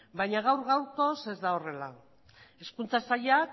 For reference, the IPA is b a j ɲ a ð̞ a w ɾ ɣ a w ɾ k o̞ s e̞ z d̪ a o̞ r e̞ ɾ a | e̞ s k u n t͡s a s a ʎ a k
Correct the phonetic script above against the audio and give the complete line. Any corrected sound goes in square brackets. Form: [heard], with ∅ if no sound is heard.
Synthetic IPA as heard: b a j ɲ a [ɣ̞] a w ɾ ɣ a w ɾ k o̞ s e̞ z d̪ a o̞ r e̞ [l] a | e̞ s k u n t͡s a s a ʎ a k

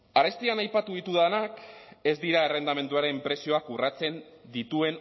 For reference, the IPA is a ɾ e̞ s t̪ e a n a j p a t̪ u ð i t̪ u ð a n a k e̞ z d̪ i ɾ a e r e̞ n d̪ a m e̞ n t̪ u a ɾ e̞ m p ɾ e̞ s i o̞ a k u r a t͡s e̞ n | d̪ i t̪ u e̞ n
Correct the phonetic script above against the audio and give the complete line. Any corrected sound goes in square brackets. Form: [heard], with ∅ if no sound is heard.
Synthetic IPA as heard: a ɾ e̞ s t̪ [i] a n a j p a t̪ u ð i t̪ u ð a n a k e̞ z d̪ i ɾ a e r e̞ n d̪ a m e̞ n [d̪] u a ɾ e̞ m p ɾ e̞ s i o̞ a k u r a t͡s e̞ n | d̪ i t̪ u e̞ n

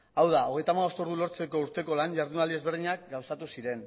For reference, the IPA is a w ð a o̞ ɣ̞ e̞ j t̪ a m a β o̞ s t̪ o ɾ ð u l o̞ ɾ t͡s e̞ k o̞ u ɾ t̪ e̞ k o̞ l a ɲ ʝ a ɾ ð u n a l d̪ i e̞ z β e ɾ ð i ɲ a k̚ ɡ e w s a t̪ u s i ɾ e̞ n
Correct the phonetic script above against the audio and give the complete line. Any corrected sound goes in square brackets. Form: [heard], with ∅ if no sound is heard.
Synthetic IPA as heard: a w ð a o̞ ɣ̞ e̞ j t̪ a m a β o̞ s t̪ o ɾ ð u l o̞ ɾ t͡s e̞ k o̞ u ɾ t̪ e̞ k o̞ l a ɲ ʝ a ɾ ð u n a l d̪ i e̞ z β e ɾ ð i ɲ a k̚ ɡ [a] w s a t̪ u s i ɾ e̞ n

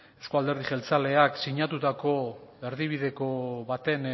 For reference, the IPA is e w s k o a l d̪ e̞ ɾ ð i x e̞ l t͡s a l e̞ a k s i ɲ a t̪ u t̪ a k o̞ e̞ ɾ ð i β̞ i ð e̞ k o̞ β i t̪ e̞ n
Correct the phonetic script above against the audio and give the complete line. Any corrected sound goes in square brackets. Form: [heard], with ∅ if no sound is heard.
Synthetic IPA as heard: e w s k o a l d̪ e̞ ɾ ð i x e̞ l t͡s a l e̞ a k s i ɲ a t̪ u t̪ a k o̞ e̞ ɾ ð i β̞ i ð e̞ k o̞ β [a] t̪ e̞ n

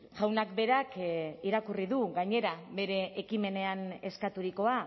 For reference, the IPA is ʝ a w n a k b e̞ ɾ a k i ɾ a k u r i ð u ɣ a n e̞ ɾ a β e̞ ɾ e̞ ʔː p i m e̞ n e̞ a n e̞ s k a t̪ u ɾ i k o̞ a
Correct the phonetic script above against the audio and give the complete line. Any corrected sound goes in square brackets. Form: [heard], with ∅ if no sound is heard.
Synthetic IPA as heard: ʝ a w n a k b e̞ ɾ a k i ɾ a k u r i ð u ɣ a [ɲ] e̞ ɾ a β e̞ ɾ e̞ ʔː [k] i m e̞ n e̞ a n e̞ s k a t̪ u ɾ i k o̞ a

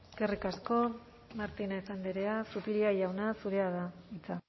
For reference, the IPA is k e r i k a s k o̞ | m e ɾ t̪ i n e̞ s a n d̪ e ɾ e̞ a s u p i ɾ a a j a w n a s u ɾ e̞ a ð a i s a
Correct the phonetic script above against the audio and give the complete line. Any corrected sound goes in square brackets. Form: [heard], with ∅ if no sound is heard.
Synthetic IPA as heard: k e r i k a s k o̞ | m [a] ɾ t̪ i n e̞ s a n d̪ e ɾ e̞ a s u p i ɾ [i] a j a w n a s u ɾ e̞ a ð a i [t͡s] a

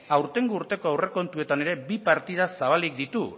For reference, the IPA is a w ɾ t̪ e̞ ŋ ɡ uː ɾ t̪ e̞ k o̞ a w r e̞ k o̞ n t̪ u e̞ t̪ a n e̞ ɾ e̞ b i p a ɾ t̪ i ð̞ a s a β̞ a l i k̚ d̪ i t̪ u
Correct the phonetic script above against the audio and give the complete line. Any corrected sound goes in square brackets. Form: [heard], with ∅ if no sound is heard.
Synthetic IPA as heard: a w ɾ t̪ e̞ ŋ ɡ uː ɾ t̪ e̞ k o̞ a w r e̞ k o̞ n t̪ u e̞ t̪ a n e̞ ɾ e̞ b i p a ɾ t̪ i ð̞ a s a β̞ a l i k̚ d̪ i t̪ u

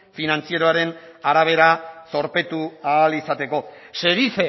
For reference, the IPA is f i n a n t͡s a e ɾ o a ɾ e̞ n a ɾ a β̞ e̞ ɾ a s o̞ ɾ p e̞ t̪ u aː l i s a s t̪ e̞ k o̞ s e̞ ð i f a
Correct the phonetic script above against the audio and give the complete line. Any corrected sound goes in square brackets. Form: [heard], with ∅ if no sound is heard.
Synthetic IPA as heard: f i n a n t͡s [i] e ɾ o a ɾ e̞ n a ɾ a β̞ e̞ ɾ a s o̞ ɾ p e̞ t̪ u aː l i s a [∅] t̪ e̞ k o̞ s e̞ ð i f [e]

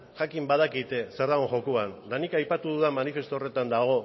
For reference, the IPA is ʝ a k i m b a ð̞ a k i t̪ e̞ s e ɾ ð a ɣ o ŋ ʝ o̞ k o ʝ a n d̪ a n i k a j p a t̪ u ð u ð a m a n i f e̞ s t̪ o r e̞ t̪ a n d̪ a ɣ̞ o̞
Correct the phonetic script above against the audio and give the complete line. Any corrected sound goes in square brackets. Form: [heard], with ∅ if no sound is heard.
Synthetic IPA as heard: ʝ a k i m b a ð̞ a k i t̪ e̞ s e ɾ ð a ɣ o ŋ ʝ o̞ k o [∅] a n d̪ a n i k a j p a t̪ u ð u ð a m a n i f e̞ s t̪ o r e̞ t̪ a n d̪ a ɣ̞ o̞

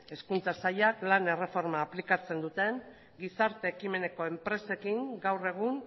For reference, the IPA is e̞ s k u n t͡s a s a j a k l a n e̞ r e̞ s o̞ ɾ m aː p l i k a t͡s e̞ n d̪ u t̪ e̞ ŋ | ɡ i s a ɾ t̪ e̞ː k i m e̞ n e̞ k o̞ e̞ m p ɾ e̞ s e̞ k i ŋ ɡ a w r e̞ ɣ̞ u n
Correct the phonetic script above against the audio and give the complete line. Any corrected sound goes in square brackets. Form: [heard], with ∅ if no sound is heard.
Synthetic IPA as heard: e̞ s k u n t͡s a s a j a k l a n e̞ r e̞ [f] o̞ ɾ m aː p l i k a t͡s e̞ n d̪ u t̪ e̞ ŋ | ɡ i s a ɾ t̪ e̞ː k i m e̞ n e̞ k o̞ e̞ m p ɾ e̞ s e̞ k i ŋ ɡ a w r e̞ ɣ̞ u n

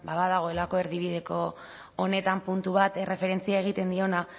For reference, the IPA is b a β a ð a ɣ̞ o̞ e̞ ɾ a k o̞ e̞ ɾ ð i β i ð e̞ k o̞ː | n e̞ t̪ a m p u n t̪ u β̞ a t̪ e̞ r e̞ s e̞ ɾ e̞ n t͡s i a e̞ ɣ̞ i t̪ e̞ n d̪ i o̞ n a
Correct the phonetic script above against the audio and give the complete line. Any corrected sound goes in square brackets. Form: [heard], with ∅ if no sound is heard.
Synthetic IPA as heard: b a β a ð a ɣ̞ o̞ e̞ [l] a k o̞ e̞ ɾ ð i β i ð e̞ k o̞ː | n e̞ t̪ a m p u n t̪ u β̞ a t̪ e̞ r e̞ [f] e̞ ɾ e̞ n t͡s i a e̞ ɣ̞ i t̪ e̞ n d̪ i o̞ n a

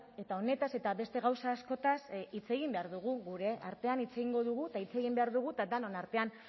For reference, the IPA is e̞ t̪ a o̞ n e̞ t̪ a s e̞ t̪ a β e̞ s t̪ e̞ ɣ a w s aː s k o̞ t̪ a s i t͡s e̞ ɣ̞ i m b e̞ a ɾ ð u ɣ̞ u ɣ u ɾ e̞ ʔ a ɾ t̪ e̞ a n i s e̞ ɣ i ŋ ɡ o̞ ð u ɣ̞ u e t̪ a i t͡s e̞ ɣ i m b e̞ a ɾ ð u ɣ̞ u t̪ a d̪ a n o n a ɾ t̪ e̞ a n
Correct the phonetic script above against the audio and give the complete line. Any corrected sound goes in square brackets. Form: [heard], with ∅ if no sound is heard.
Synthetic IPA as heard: e̞ t̪ a o̞ n e̞ t̪ a s e̞ t̪ a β e̞ s t̪ e̞ ɣ a w s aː s k o̞ t̪ a s i t͡s e̞ ɣ̞ i m b e̞ a ɾ ð u ɣ̞ u ɣ u ɾ e̞ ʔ a ɾ t̪ e̞ a n i [t͡s] e̞ ɣ i ŋ ɡ o̞ ð u ɣ̞ u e t̪ a i t͡s e̞ ɣ i m b e̞ a ɾ ð u ɣ̞ u t̪ a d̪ a n o n a ɾ t̪ e̞ a n

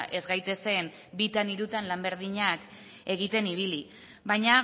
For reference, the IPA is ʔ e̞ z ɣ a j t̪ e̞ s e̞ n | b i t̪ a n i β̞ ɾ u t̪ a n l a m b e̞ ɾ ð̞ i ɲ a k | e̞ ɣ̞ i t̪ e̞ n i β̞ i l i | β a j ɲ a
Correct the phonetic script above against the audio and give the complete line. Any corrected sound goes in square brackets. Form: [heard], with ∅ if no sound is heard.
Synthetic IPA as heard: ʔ e̞ z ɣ a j t̪ e̞ s e̞ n | b i t̪ a n i [∅] ɾ u t̪ a n l a m b e̞ ɾ ð̞ i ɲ a k | e̞ ɣ̞ i t̪ e̞ n i β̞ i l i | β a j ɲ a

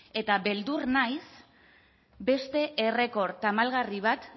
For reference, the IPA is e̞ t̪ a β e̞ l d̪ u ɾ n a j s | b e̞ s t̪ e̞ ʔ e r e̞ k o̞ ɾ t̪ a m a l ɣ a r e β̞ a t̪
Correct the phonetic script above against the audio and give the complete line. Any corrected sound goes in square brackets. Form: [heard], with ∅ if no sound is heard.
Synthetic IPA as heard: e̞ t̪ a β e̞ l d̪ u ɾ n a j s | b e̞ s t̪ e̞ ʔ e r e̞ k o̞ ɾ t̪ a m a l ɣ a r [i] β̞ a t̪

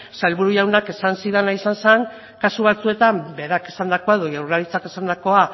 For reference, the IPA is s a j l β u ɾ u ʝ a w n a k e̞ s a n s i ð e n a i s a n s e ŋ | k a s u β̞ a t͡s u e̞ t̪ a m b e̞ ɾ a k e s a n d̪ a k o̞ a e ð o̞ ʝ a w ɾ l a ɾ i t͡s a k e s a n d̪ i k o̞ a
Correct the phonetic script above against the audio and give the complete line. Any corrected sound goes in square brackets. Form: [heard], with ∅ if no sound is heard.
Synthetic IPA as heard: s a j l β u ɾ u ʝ a w n a k e̞ s a n s i ð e n a i s a n s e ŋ | k a s u β̞ a t͡s u e̞ t̪ a m b e̞ ɾ a k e s a n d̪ a k o̞ a e ð o̞ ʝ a w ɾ l a ɾ i t͡s a k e s a n d̪ [a] k o̞ a

